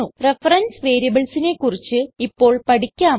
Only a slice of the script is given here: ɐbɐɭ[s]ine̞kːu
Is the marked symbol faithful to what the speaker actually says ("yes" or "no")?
yes